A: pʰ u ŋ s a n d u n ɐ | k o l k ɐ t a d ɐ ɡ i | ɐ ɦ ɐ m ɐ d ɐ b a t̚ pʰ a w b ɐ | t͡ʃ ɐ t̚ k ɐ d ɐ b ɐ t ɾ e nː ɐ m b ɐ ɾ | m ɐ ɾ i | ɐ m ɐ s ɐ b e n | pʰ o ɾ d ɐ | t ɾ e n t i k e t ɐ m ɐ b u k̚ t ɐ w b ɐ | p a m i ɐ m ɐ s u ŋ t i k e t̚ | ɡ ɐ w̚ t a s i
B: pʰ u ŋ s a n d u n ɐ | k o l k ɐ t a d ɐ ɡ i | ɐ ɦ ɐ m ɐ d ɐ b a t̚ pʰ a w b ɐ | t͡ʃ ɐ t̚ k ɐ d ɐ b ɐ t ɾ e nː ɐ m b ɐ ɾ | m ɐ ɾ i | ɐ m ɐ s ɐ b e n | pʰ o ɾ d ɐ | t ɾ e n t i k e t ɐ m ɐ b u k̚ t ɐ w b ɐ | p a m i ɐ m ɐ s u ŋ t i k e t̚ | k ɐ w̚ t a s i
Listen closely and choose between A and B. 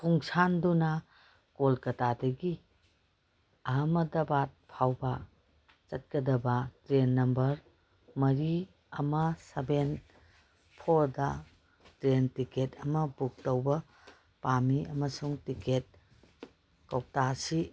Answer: B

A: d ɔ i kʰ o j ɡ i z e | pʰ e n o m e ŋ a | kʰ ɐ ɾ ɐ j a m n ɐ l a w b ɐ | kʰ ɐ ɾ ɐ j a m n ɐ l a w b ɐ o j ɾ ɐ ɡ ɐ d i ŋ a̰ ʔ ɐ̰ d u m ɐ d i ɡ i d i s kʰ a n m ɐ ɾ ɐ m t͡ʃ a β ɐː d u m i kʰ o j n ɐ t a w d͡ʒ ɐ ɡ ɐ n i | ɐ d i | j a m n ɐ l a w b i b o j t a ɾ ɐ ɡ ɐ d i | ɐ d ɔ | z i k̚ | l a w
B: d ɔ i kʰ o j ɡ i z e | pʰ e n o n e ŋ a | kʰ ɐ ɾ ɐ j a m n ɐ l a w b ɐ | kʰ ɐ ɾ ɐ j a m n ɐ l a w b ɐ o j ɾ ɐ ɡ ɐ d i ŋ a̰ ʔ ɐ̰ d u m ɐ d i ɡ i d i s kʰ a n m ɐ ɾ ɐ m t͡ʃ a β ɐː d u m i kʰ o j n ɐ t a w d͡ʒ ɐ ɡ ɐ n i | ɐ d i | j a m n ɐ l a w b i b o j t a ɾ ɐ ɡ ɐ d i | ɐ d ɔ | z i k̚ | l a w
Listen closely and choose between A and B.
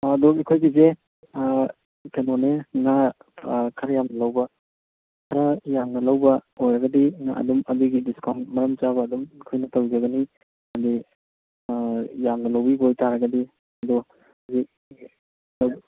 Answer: B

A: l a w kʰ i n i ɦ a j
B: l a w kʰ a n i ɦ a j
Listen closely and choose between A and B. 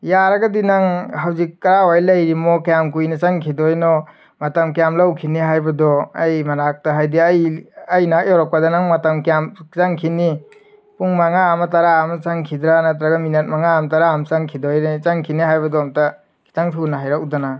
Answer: A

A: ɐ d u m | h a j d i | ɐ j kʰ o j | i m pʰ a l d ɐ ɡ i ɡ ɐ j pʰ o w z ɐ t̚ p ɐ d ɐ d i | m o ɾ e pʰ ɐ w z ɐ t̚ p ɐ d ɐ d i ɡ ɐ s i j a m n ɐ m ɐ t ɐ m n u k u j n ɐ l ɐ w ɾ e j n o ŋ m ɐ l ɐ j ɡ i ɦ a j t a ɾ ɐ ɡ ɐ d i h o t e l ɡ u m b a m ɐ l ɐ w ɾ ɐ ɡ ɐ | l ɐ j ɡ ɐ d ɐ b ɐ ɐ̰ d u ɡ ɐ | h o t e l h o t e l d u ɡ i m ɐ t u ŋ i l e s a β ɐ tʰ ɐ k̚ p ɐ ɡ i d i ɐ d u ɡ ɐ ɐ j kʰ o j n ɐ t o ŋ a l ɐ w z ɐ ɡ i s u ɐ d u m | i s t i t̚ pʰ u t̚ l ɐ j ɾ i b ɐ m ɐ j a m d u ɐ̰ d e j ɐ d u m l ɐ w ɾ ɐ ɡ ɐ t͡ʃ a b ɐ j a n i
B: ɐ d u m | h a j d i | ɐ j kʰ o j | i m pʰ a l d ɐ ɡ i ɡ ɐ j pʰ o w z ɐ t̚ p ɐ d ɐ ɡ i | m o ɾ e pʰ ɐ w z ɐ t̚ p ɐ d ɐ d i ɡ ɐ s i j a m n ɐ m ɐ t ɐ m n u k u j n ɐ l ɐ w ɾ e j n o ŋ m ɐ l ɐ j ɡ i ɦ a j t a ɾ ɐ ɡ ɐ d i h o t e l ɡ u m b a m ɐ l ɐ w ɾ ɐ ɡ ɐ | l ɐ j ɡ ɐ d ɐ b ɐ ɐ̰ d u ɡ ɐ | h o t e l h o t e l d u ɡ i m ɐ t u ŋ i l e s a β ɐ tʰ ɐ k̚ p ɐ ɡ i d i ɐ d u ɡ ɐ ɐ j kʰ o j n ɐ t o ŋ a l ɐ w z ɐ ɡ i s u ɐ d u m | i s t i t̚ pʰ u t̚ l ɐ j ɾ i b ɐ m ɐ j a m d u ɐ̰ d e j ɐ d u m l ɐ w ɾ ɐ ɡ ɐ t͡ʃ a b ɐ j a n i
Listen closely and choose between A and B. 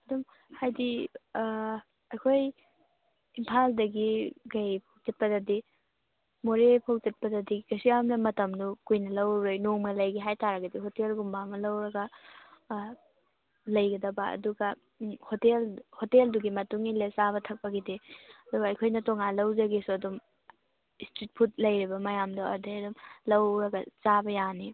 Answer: A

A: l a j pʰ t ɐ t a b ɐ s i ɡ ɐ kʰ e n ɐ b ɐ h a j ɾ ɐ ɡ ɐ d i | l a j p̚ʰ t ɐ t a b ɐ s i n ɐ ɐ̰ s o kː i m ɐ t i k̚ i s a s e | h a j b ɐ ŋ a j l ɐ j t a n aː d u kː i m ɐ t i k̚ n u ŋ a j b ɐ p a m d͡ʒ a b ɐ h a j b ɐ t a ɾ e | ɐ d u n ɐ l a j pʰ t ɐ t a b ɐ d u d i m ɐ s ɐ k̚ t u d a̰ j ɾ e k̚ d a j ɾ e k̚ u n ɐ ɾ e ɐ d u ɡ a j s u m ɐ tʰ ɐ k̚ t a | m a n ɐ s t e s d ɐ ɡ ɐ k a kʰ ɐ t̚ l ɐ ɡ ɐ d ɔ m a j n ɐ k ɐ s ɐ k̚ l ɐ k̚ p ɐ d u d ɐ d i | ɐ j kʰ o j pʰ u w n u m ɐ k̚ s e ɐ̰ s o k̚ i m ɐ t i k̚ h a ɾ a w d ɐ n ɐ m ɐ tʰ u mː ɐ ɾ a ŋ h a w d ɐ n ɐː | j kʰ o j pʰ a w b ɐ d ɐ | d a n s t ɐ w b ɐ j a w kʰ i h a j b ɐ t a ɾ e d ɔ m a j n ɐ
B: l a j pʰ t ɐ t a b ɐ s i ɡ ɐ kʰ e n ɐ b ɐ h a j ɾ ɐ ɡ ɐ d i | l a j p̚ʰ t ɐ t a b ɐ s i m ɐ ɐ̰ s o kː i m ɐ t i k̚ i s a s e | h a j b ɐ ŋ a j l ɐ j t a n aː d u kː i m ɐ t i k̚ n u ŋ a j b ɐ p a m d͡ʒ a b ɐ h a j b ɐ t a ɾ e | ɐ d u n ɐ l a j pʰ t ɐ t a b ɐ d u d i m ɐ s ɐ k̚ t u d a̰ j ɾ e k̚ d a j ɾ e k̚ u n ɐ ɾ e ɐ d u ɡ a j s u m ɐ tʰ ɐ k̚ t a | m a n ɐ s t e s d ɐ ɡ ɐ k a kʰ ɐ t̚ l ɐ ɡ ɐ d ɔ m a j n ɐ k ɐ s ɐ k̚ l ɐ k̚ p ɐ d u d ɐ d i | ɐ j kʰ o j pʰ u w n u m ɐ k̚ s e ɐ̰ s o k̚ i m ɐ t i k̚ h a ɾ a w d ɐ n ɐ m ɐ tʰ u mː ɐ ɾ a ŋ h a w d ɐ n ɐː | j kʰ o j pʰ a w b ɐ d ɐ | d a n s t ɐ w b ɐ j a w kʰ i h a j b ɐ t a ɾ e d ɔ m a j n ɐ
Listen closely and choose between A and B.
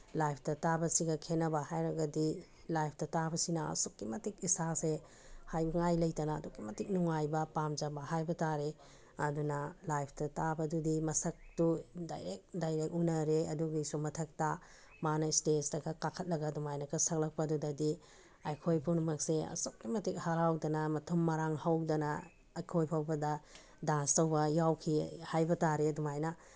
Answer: A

